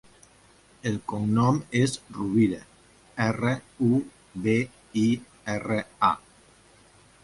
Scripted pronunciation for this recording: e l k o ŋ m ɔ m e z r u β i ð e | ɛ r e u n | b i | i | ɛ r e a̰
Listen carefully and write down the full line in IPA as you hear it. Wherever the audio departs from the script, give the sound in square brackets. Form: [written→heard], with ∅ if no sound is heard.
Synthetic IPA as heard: e l k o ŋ [m→n] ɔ m e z r u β i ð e | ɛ r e u [n→∅] | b [i→e] | i | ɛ r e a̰